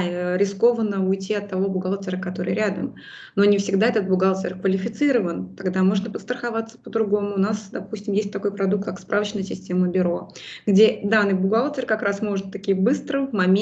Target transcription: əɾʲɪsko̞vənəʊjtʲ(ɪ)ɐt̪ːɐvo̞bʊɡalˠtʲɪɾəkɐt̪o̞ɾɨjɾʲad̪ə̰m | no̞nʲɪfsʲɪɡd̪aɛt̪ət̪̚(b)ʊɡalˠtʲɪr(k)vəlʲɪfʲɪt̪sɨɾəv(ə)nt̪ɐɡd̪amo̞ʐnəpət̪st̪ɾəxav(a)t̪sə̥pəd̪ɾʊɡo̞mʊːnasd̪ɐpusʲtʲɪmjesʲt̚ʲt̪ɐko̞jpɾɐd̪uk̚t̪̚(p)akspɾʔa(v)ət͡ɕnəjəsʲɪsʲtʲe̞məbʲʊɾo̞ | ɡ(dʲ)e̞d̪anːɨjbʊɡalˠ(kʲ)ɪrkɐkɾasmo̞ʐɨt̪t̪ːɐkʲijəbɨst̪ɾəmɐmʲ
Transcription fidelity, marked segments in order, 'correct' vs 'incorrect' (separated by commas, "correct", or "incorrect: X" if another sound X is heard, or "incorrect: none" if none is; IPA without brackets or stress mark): incorrect: i, correct, correct, correct, correct, incorrect: k, correct, correct, incorrect: tʲ